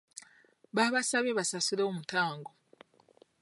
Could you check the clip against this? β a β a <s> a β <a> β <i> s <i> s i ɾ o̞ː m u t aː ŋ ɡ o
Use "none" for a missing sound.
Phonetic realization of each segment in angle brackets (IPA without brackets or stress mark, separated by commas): s, e, a, a